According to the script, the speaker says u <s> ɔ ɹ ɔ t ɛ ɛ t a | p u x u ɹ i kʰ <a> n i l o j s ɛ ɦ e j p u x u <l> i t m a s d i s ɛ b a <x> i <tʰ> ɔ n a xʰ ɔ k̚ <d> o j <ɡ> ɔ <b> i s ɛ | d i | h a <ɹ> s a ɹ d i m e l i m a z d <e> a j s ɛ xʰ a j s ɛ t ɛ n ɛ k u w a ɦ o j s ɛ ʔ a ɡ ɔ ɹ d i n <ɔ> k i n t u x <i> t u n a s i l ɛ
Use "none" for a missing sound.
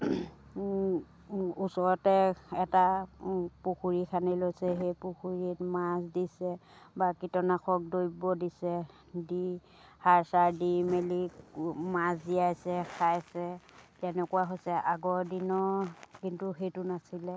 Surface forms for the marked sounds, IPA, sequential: s, a, ɹ, k, t, d, b, d, ɹ, i, ɔ, e

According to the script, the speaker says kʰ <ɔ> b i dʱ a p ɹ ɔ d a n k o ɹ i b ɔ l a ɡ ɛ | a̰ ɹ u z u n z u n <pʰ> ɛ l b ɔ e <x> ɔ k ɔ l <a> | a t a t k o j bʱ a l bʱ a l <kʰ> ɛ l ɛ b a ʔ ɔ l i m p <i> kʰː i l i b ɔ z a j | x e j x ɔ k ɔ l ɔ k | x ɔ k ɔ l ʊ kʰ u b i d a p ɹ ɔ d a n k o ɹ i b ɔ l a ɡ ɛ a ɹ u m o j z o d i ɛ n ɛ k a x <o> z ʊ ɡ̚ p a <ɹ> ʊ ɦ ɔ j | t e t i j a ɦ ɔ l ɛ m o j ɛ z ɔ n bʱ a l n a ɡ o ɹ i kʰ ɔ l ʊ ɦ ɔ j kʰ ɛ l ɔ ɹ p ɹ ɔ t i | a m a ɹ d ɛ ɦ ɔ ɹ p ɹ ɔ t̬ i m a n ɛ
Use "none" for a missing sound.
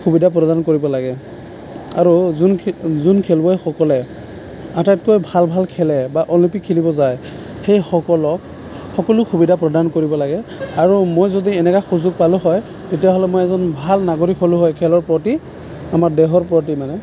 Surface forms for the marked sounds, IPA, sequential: u, kʰ, x, ɛ, kʰ, i, u, l

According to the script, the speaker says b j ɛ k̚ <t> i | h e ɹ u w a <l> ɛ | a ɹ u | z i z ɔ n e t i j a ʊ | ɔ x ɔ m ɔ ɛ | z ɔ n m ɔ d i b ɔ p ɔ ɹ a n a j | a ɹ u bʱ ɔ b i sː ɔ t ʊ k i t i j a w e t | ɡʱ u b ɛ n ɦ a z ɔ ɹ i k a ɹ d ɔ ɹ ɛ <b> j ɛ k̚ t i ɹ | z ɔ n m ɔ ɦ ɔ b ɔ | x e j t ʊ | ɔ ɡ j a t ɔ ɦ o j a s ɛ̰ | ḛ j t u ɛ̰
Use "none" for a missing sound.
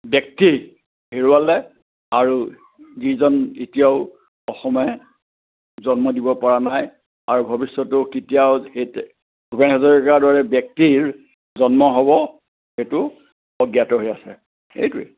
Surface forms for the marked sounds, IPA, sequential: t, l, b

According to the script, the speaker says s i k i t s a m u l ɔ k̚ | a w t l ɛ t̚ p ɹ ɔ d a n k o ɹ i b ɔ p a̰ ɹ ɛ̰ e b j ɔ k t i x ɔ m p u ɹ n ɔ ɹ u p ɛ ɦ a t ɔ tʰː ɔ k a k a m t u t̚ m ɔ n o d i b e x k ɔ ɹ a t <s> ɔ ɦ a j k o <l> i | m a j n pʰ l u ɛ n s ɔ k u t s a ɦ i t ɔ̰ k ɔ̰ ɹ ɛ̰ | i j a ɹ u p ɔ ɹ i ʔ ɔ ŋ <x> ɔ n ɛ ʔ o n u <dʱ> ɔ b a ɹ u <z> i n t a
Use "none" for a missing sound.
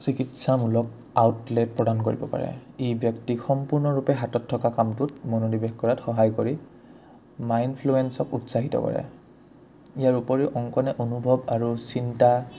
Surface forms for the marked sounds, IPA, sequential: x, ɹ, k, bʱ, s

